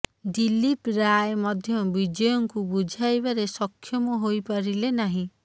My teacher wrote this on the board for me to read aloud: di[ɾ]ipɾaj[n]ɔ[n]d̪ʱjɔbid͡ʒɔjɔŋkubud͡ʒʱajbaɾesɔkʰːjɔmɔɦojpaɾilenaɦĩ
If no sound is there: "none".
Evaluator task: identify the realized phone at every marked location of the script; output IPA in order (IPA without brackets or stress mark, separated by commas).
l, m, none